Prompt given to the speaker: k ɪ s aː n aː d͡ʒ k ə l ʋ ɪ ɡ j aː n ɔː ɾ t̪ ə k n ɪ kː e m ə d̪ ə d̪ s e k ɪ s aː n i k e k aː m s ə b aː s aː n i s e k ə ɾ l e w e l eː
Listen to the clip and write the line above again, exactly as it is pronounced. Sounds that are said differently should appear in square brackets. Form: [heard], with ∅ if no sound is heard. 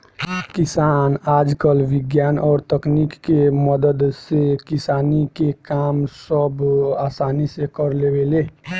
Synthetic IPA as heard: k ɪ s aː n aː d͡ʒ k ə l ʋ ɪ ɡ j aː n ɔː ɾ t̪ ə k n [i] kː e m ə d̪ ə d̪ s e k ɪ s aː n i k e k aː m s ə b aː s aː n i s e k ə ɾ l e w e l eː

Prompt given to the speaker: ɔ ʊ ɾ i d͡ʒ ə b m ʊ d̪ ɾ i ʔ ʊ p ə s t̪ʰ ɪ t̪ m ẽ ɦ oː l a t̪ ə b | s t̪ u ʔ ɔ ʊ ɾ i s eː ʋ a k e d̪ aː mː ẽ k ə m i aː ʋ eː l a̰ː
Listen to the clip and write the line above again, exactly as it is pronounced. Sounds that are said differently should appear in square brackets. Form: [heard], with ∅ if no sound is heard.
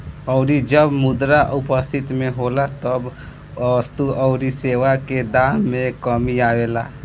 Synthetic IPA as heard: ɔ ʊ ɾ i d͡ʒ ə b m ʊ d̪ ɾ [a] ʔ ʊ p ə s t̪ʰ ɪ t̪ m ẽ ɦ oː l a t̪ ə b | s t̪ u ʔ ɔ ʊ ɾ i s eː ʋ a k e d̪ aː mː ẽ k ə m i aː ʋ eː l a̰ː

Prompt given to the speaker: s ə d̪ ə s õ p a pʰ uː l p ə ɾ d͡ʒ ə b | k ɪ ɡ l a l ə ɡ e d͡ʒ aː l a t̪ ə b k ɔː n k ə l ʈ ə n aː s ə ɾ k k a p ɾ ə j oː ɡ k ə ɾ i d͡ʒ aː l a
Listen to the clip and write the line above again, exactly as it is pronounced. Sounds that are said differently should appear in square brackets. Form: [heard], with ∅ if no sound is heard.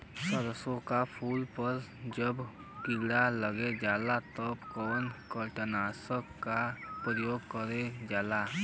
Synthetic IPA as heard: s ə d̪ ə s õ [k] a pʰ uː l p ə ɾ d͡ʒ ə b | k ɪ ɡ [ɽ] a l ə ɡ e d͡ʒ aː l a t̪ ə b k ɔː n k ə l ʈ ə n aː s ə [∅] k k a p ɾ ə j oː ɡ k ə ɾ [e] d͡ʒ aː l a

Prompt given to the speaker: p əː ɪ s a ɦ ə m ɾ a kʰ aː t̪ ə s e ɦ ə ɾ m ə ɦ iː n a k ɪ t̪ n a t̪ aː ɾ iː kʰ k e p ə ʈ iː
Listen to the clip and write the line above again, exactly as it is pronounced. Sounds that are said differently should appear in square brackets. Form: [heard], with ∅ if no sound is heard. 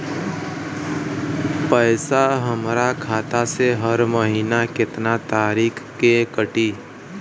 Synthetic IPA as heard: p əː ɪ s a ɦ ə m ɾ a kʰ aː t̪ [a] s e ɦ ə ɾ m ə ɦ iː n a k ɪ t̪ n a t̪ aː ɾ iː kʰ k e [k] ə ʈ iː

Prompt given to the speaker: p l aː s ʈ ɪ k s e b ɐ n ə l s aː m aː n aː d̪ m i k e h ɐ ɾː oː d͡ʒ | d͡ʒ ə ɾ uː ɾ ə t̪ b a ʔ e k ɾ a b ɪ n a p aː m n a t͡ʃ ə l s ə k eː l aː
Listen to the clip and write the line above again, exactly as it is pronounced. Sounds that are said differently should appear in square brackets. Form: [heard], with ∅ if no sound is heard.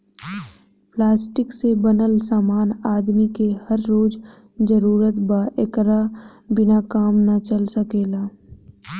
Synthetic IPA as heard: p l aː s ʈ ɪ k s e b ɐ n ə l s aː m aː n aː d̪ m i k e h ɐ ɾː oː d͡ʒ | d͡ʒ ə ɾ uː ɾ ə t̪ b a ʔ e k ɾ a b ɪ n a [k] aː m n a t͡ʃ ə l s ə k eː l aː

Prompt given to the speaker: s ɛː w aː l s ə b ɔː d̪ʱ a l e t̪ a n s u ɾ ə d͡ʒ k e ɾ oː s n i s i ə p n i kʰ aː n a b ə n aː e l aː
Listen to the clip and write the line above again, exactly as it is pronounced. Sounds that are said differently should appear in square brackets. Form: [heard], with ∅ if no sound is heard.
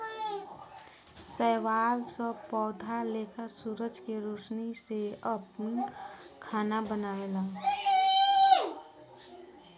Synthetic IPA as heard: s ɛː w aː l s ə [p] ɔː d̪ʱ a l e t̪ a [∅] s u ɾ ə d͡ʒ k e ɾ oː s n i s [e] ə p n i kʰ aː n a b ə n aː e l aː

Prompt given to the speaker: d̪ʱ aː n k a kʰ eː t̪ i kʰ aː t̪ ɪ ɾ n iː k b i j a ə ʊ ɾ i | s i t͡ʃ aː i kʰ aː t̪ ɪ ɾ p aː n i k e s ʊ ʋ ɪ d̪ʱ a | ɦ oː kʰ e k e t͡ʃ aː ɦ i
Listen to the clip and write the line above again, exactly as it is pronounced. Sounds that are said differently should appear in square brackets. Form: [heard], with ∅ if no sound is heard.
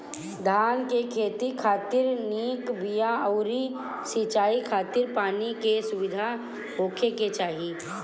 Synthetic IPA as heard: d̪ʱ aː n k [e] kʰ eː t̪ i kʰ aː t̪ ɪ ɾ n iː k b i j a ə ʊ ɾ i | s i t͡ʃ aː i kʰ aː t̪ ɪ ɾ p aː n i k e s ʊ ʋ ɪ d̪ʱ a | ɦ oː kʰ e k e t͡ʃ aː ɦ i

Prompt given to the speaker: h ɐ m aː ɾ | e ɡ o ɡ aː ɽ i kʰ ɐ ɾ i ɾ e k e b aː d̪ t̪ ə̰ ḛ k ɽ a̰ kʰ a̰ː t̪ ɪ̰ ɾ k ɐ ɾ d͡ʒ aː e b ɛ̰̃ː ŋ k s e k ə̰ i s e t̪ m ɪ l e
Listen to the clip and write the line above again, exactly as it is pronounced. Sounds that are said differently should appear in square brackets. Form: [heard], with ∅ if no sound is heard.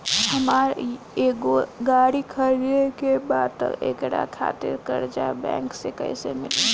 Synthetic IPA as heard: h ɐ m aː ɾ | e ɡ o ɡ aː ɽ i kʰ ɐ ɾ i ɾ e k e b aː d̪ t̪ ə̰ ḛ k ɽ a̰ kʰ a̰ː t̪ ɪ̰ ɾ k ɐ ɾ d͡ʒ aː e b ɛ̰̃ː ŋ k s e k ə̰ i s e [∅] m ɪ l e

